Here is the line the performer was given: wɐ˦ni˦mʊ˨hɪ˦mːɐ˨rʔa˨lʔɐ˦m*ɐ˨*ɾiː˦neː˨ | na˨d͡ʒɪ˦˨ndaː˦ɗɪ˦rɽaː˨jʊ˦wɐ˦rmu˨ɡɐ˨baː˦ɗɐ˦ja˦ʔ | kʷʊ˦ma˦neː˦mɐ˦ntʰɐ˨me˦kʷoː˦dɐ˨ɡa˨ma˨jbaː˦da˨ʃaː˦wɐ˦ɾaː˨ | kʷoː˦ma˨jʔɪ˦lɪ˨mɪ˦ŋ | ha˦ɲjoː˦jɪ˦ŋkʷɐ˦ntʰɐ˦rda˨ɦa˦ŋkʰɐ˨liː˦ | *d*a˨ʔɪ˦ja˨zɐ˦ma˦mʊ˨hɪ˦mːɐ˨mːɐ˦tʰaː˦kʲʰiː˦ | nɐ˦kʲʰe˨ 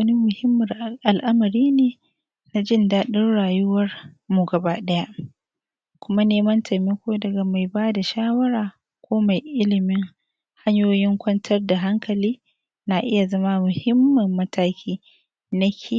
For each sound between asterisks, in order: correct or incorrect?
correct, incorrect: n

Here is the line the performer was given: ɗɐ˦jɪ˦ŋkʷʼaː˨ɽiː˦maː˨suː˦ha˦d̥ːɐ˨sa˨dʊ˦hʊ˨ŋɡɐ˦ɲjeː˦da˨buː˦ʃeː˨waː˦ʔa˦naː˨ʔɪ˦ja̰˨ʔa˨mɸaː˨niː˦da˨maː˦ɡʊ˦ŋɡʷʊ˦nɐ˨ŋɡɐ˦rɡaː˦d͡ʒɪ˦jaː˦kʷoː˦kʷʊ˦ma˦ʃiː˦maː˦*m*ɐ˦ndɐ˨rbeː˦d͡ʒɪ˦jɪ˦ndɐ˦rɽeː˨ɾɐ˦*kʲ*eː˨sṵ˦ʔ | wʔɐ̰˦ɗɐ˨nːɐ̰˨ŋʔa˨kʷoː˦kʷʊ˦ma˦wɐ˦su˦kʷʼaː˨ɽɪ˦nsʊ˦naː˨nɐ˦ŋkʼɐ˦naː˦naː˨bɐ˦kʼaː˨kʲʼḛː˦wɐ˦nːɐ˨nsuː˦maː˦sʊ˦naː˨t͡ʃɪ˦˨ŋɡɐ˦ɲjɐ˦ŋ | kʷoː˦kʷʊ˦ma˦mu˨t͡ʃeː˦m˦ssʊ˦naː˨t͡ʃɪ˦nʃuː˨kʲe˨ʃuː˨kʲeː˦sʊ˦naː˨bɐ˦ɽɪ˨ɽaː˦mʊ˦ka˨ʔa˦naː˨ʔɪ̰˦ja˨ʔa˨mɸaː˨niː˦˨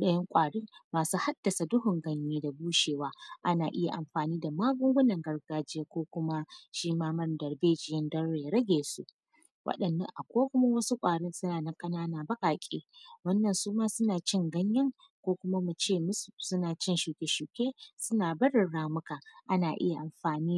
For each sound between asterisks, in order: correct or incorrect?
correct, incorrect: ɡʲ

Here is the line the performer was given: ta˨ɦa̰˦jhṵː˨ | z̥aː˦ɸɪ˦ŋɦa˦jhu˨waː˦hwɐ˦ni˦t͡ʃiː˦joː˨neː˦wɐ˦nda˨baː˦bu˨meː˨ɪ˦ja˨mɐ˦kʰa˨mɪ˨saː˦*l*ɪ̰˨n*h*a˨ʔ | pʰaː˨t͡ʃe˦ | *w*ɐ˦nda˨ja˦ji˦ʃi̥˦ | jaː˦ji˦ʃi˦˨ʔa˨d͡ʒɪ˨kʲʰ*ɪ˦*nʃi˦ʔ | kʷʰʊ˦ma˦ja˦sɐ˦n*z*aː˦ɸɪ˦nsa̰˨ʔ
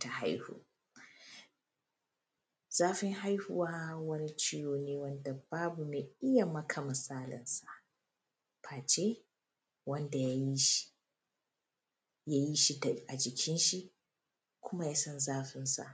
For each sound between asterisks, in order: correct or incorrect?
correct, incorrect: s, correct, correct, correct

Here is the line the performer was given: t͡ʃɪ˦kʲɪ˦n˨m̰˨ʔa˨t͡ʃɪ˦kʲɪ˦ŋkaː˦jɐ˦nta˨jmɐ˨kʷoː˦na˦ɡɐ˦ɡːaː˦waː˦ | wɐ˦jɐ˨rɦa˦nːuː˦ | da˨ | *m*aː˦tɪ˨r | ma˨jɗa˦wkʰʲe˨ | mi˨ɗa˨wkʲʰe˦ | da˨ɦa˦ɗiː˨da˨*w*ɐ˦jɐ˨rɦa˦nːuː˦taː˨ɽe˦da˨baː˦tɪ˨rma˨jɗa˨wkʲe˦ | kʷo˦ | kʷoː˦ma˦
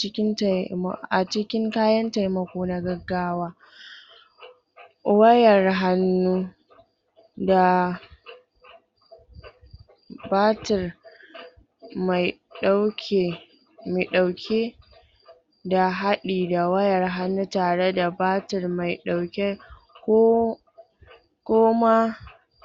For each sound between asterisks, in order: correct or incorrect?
incorrect: b, correct

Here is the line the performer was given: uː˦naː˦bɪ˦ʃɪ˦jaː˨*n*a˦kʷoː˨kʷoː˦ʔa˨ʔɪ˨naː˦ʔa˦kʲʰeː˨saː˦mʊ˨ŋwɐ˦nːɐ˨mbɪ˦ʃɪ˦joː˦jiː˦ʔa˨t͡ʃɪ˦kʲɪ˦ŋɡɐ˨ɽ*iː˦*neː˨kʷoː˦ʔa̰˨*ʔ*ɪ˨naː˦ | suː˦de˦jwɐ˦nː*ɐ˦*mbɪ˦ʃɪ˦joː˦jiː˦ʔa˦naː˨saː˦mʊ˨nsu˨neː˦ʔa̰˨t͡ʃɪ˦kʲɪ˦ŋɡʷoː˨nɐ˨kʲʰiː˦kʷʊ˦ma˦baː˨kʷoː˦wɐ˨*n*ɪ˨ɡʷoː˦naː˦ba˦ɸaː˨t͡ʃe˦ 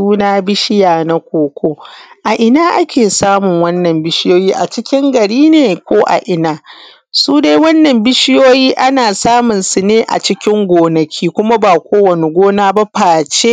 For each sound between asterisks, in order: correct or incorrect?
correct, correct, correct, incorrect: ɐ˨, correct

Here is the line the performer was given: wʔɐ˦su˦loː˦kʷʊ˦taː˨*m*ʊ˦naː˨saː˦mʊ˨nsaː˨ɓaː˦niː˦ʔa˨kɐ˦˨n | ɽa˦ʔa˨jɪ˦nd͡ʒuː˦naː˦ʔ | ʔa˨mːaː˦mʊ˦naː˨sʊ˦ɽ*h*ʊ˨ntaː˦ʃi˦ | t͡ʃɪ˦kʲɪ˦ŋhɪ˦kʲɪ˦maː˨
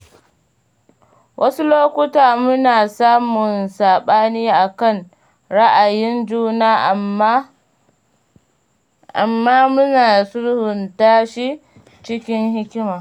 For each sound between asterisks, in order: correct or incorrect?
correct, correct

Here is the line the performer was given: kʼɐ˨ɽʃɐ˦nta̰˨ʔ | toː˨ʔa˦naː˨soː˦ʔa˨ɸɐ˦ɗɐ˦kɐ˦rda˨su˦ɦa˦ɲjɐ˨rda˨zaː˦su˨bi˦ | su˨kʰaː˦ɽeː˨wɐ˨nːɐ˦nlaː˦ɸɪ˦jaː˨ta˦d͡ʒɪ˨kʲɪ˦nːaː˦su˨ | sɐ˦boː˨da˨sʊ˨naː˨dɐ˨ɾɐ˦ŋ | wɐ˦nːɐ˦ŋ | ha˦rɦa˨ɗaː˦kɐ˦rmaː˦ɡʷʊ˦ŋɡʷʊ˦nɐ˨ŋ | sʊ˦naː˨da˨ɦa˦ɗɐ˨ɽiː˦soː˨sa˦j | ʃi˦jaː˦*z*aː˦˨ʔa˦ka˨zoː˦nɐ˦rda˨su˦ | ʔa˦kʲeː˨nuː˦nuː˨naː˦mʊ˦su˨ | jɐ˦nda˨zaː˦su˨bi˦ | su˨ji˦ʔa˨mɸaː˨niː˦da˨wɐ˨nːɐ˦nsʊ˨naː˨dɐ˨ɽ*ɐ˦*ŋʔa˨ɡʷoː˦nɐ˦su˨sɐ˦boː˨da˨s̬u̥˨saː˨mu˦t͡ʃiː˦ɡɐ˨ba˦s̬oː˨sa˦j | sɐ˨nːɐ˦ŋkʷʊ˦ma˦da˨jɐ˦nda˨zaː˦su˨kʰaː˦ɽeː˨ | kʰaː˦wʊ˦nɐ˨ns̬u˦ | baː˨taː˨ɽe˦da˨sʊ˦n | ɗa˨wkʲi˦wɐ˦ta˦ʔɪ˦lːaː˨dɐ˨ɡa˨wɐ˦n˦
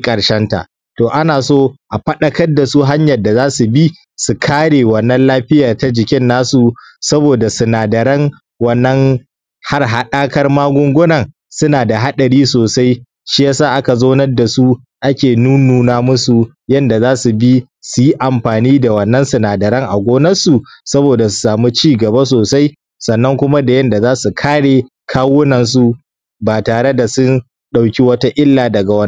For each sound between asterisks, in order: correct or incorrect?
incorrect: s, correct

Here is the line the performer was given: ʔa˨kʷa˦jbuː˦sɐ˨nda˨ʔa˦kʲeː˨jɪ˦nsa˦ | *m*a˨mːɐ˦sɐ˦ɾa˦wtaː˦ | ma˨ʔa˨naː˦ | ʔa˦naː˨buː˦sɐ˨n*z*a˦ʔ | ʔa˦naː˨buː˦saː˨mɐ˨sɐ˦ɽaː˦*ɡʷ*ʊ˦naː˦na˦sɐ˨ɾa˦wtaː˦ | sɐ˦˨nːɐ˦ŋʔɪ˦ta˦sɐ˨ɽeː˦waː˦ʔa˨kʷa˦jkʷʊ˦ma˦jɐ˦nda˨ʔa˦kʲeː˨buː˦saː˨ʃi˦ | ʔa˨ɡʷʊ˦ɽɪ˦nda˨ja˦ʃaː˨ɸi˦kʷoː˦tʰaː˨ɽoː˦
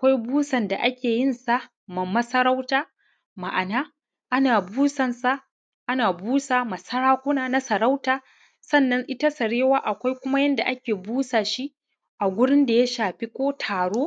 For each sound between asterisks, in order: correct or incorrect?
correct, incorrect: s, incorrect: kʷ

